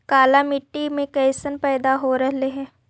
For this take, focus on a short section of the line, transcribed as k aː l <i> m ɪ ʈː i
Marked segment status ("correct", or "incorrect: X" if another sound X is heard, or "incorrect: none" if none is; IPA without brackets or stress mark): incorrect: a